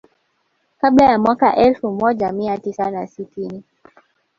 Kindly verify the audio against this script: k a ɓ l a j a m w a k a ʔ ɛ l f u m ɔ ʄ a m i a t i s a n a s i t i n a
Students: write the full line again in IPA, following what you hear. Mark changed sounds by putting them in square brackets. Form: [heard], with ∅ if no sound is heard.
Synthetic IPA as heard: k a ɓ l a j a m w a k a ʔ ɛ l f u m ɔ ʄ a m i a t i s a n a s i t i n [i]